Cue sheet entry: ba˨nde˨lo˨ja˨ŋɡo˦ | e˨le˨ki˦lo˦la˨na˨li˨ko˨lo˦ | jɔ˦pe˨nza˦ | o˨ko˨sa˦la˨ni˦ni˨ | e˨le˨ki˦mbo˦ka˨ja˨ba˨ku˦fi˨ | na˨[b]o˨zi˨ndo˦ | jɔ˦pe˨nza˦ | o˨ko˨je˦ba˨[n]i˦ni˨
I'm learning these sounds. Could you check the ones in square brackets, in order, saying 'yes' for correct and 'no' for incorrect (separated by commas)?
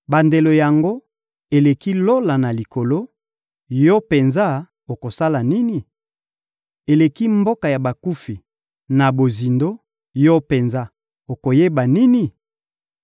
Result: yes, yes